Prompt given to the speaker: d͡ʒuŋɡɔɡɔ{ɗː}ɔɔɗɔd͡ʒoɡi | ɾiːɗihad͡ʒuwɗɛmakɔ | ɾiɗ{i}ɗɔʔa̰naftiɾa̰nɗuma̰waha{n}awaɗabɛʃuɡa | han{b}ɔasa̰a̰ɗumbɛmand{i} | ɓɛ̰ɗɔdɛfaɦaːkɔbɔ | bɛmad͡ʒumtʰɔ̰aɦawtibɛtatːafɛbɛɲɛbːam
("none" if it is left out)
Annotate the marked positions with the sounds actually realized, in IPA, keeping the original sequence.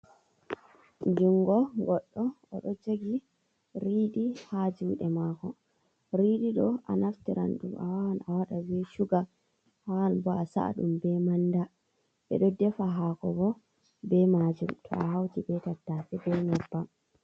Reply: ɗː, i, n, b, a

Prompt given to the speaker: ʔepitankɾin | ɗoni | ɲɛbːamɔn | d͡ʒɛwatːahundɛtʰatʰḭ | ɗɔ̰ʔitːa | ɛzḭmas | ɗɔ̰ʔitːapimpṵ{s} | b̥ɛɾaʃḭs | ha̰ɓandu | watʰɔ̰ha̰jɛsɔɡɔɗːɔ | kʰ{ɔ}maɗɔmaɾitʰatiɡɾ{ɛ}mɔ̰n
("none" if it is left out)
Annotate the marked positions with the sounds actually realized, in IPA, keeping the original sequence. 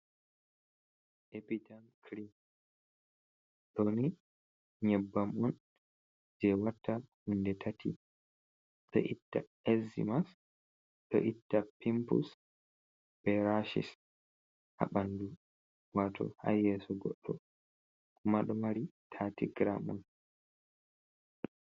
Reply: s, u, a

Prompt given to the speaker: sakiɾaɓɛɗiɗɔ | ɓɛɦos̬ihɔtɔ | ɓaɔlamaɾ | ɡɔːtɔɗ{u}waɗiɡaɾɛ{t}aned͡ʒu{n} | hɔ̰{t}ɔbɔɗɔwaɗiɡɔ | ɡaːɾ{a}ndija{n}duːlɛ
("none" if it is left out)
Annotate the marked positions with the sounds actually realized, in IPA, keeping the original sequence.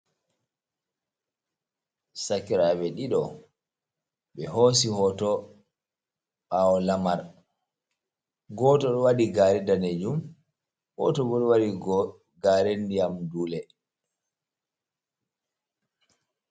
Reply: ɔ, d, m, t, e, m

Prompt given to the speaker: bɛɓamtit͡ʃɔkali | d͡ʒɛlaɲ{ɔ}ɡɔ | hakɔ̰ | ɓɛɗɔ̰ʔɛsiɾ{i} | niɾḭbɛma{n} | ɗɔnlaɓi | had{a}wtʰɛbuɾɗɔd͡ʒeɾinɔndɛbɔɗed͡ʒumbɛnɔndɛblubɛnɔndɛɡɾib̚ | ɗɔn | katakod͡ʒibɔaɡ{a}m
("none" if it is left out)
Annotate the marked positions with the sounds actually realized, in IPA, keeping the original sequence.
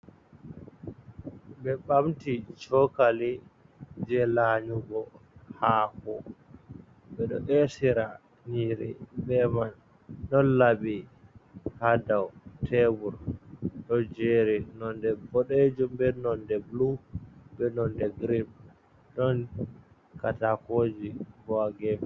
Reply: u, a, n, a, ɛ

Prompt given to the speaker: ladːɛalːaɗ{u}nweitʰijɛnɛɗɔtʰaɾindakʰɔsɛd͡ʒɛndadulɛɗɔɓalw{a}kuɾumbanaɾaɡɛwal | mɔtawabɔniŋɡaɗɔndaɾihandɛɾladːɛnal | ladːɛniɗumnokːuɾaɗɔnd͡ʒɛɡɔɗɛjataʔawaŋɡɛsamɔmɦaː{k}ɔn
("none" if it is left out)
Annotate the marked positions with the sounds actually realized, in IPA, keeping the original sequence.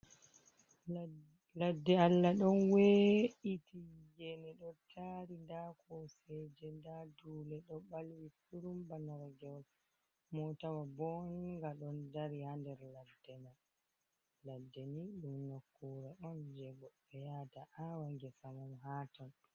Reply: ɔ, i, t

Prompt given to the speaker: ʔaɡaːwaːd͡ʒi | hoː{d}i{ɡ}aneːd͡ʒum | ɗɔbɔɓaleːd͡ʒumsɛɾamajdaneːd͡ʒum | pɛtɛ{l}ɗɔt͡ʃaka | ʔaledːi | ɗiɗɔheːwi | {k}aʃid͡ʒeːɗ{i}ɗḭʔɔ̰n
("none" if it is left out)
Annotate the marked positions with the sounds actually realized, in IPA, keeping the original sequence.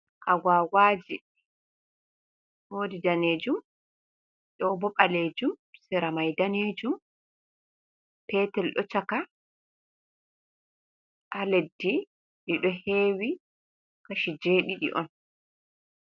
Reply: d, d, l, k, i

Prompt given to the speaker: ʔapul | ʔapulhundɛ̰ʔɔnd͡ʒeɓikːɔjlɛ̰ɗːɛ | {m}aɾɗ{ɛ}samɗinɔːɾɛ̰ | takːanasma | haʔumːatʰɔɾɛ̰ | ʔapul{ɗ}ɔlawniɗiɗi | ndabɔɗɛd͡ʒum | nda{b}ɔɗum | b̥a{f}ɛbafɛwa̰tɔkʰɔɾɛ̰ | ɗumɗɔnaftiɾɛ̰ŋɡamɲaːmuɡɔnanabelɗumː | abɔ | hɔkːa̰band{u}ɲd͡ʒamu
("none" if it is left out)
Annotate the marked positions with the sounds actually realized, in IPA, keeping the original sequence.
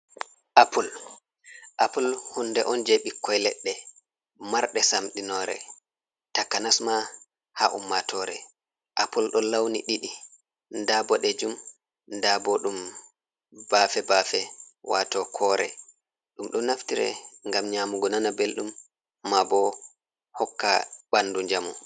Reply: m, ɛ, ɗ, b, f, u

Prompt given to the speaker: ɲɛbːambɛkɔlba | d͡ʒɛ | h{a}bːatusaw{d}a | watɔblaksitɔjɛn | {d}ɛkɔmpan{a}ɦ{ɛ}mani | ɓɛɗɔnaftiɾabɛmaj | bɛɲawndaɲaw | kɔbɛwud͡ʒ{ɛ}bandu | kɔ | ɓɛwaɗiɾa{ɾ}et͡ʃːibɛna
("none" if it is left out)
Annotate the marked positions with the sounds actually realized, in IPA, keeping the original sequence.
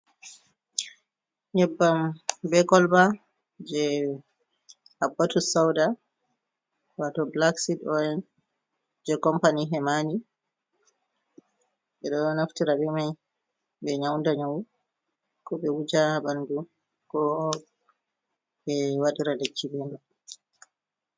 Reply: a, d, d͡ʒ, i, ɛ, a, l

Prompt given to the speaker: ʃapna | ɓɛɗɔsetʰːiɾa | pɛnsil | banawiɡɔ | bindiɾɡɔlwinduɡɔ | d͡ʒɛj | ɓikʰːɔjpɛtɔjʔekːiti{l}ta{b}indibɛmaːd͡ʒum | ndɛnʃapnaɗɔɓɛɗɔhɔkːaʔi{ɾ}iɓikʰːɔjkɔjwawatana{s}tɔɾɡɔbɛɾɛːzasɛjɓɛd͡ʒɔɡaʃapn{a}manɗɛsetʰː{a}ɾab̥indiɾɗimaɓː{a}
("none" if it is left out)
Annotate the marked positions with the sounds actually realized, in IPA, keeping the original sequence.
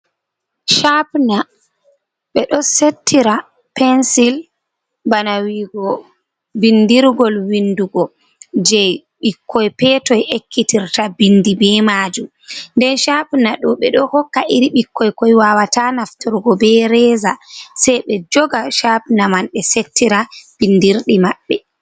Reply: ɾ, b, ɾ, f, a, i, ɛ

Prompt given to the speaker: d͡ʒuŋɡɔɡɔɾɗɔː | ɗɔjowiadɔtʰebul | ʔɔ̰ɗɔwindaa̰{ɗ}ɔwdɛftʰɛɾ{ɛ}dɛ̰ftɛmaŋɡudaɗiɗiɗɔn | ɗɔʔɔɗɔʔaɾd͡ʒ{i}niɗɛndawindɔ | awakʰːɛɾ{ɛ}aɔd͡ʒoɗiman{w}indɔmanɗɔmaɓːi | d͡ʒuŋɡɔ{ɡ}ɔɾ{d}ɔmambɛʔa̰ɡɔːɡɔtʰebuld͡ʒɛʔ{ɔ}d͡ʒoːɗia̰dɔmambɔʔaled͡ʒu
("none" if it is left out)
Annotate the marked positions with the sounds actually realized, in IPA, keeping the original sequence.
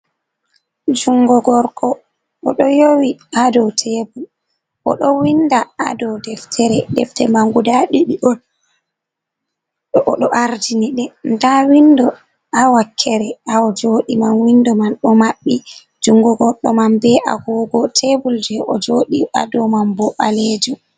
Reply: d, ɛ, i, ɛ, w, ɡ, ɗ, ɔ

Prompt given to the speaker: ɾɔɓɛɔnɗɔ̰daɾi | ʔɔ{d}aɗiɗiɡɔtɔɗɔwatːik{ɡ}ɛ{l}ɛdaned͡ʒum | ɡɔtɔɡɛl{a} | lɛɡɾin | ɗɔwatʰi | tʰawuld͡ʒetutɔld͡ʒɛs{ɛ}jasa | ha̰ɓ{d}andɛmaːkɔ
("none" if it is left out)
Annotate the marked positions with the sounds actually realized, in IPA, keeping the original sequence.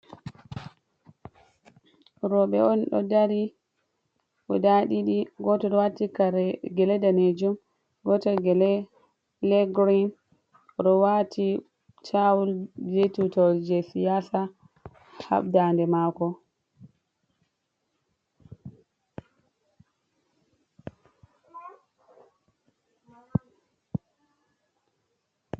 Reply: d, ɡ, l, ɛ, i, d

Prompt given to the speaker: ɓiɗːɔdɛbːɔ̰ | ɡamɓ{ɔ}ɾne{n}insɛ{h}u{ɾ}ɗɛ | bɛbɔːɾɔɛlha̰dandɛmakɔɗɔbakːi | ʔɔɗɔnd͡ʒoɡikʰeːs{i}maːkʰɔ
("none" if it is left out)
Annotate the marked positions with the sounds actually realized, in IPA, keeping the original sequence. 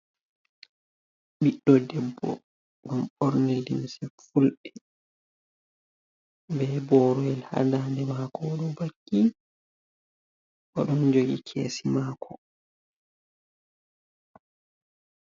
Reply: ɔ, d, f, l, i

